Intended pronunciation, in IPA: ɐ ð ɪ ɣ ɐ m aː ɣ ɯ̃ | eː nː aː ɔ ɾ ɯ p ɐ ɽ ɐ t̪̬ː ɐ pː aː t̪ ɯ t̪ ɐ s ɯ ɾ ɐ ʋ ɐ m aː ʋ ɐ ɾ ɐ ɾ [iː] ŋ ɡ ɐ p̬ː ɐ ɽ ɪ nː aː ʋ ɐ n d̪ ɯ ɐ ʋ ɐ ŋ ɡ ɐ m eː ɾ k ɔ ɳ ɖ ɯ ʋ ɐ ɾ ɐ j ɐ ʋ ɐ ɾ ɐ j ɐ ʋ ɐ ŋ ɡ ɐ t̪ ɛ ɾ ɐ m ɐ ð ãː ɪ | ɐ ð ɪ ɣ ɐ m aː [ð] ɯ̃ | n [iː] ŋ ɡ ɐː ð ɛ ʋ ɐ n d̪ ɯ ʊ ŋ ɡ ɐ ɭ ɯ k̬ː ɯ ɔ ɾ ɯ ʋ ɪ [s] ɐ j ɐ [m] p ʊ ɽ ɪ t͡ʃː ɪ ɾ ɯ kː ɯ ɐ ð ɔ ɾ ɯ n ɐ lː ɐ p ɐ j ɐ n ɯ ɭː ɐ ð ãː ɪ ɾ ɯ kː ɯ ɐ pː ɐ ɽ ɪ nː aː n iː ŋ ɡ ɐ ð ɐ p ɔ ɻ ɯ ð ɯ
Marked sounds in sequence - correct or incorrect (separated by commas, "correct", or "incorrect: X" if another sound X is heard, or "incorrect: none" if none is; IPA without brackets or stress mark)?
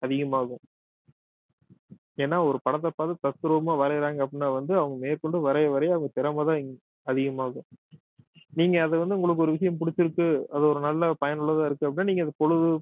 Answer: incorrect: aː, incorrect: ɣ, correct, incorrect: ʂ, correct